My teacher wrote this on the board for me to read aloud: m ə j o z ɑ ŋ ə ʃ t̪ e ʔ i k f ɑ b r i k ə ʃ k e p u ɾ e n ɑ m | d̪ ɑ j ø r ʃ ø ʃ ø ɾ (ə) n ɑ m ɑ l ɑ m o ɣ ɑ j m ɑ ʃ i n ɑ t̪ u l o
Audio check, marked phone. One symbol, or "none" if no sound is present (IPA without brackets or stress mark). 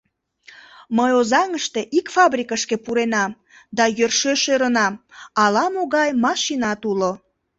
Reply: ə